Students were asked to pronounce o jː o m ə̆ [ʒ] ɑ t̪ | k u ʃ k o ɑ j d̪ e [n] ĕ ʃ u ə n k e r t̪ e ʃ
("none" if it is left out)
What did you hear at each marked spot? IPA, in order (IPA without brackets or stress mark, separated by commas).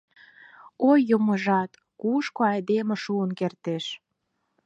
ʒ, m